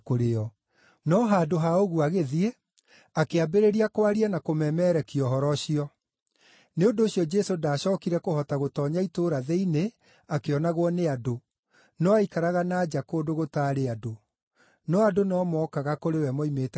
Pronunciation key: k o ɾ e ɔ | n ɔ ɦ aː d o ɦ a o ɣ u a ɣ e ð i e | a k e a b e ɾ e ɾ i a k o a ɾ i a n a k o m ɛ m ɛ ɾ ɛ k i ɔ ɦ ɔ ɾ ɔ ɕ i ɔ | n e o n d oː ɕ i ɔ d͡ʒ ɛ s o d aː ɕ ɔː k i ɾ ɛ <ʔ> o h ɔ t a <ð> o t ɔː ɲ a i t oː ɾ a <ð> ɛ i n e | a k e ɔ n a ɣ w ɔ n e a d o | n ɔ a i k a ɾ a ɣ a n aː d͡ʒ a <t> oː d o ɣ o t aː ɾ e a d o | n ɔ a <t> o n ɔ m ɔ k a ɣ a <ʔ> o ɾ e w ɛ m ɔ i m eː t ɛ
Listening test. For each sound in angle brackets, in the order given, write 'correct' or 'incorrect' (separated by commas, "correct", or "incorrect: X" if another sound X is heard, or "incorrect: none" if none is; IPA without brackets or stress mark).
incorrect: k, incorrect: ɣ, correct, incorrect: k, incorrect: d, incorrect: k